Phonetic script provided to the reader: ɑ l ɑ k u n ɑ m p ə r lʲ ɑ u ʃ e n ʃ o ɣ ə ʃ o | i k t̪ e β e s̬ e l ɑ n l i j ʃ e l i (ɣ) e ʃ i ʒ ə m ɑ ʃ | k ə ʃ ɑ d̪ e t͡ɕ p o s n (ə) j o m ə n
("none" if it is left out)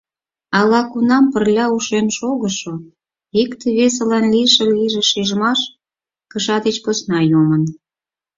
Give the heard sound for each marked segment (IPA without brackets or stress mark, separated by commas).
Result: ʒ, ɑ